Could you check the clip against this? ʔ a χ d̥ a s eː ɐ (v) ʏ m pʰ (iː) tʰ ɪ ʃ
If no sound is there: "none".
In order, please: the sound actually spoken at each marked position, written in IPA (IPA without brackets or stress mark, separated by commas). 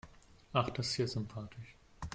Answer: z, aː